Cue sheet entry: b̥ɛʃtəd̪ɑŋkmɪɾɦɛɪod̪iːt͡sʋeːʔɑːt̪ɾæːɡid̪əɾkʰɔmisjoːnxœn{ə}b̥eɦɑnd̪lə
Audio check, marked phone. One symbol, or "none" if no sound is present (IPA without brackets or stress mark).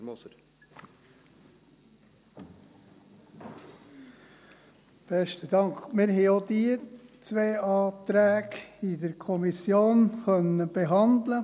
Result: ə